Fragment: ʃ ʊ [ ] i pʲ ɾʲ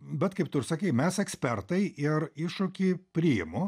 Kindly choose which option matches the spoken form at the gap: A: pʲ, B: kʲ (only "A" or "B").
B